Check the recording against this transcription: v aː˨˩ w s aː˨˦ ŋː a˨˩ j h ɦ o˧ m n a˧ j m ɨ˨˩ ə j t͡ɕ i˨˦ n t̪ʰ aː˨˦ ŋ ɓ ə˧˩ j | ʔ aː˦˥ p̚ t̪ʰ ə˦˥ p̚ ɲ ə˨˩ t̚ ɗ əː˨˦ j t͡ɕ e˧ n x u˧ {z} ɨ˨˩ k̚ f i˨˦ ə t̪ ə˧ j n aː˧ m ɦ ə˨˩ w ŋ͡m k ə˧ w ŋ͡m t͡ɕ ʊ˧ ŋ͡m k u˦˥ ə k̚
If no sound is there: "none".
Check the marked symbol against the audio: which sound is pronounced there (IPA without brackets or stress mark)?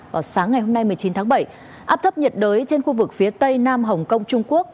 v